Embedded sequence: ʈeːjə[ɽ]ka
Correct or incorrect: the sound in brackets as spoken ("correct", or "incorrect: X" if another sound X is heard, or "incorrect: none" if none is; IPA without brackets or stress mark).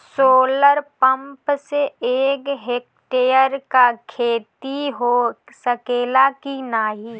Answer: incorrect: ɾ